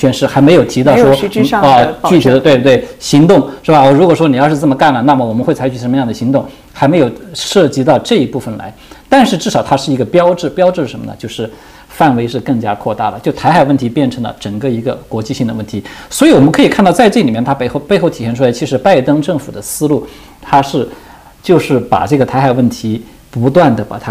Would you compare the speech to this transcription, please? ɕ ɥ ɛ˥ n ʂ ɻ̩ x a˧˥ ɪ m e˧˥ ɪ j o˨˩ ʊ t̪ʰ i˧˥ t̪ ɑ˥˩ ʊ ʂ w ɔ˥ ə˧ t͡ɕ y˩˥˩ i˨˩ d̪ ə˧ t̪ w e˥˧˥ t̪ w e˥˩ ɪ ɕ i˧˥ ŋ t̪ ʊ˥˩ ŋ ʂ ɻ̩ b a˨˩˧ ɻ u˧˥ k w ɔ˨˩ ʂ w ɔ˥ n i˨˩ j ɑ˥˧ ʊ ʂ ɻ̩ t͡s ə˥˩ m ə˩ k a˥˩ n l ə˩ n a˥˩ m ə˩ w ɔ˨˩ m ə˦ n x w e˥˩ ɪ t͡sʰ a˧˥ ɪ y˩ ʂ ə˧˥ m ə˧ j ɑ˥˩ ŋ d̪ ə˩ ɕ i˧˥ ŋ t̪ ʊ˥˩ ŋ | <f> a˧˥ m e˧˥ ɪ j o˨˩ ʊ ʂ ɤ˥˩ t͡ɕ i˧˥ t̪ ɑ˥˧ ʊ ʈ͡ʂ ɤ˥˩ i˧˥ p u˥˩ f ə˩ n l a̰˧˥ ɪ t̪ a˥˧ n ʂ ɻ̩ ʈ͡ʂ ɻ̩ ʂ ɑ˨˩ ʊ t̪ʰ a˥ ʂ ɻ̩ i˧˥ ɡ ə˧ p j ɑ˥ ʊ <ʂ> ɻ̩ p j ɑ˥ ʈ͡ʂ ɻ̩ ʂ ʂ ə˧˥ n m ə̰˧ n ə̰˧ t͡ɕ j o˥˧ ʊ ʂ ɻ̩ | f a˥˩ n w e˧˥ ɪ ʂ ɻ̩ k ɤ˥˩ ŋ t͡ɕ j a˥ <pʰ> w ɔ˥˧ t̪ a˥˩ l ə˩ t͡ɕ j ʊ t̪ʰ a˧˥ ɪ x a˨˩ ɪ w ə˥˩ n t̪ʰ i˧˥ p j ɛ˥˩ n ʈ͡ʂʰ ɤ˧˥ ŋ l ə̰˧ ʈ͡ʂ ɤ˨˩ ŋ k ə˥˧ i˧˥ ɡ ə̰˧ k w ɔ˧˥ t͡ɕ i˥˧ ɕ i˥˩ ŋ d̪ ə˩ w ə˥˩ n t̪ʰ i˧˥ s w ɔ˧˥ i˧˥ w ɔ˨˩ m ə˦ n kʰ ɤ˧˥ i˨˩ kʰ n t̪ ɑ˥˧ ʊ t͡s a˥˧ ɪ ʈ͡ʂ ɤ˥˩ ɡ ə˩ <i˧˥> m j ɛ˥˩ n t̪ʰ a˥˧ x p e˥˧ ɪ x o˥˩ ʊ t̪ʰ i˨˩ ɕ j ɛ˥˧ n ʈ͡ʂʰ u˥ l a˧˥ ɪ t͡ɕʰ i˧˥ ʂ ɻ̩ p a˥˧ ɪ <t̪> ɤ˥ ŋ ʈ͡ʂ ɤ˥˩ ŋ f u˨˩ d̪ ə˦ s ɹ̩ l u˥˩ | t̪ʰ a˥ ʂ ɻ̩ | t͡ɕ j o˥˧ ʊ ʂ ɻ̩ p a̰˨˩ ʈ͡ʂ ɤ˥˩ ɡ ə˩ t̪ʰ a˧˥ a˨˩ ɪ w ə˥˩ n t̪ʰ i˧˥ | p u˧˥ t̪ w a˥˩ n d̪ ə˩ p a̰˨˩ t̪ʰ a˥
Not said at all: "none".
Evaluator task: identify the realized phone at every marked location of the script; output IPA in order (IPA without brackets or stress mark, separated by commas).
x, ʈ͡ʂ, kʰ, i˨˩, t̪